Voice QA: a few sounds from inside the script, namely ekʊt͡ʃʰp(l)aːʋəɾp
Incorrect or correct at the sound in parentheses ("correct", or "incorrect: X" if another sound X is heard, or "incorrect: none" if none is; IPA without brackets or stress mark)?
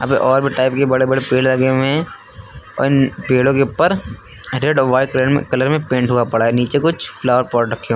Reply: correct